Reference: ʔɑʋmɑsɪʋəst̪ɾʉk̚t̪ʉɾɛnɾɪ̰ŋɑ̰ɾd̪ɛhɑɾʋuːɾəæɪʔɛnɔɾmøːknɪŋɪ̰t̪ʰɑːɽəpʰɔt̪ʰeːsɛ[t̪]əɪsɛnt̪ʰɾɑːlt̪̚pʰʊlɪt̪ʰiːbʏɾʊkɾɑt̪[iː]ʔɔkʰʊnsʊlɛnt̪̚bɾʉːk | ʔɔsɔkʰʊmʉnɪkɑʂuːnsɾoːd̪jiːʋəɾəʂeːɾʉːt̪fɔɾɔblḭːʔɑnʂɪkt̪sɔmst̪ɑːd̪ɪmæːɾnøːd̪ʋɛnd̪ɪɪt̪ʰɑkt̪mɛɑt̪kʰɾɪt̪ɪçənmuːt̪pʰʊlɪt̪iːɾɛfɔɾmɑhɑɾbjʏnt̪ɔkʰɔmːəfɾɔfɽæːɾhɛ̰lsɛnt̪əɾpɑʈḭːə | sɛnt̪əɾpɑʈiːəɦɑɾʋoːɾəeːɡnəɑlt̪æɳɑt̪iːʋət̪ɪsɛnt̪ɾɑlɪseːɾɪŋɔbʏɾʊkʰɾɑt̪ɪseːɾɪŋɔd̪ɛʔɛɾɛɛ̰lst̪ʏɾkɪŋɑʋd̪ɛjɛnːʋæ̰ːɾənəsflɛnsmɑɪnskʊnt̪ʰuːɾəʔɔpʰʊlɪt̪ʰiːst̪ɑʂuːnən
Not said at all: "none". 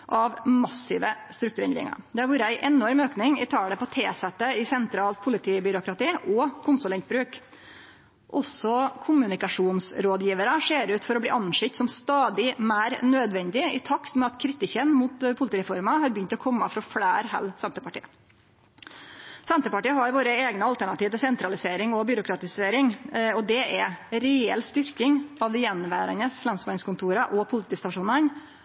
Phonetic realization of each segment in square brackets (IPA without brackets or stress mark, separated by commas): t̪, iː